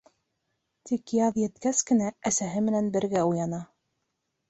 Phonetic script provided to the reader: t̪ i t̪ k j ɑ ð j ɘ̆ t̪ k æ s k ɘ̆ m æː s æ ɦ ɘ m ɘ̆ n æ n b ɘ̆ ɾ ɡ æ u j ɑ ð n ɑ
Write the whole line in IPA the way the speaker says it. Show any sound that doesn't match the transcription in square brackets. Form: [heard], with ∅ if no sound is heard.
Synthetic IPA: t̪ i [∅] k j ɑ ð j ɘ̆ t̪ k æ s k ɘ̆ [n] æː s æ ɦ ɘ m ɘ̆ n æ n b ɘ̆ ɾ ɡ æ u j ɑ [∅] n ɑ